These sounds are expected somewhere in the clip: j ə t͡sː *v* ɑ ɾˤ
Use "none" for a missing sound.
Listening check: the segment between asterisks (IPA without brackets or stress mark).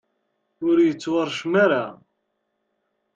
w